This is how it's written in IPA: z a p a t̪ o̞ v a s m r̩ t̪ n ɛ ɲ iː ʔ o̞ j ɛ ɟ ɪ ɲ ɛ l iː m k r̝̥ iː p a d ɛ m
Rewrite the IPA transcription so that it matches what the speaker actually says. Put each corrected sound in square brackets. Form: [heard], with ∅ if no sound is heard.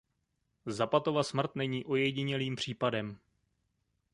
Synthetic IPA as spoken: z a p a t̪ o̞ v a s m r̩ t̪ n ɛ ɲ iː ʔ o̞ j ɛ ɟ ɪ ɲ ɛ l iː m [p] r̝̥ iː p a d ɛ m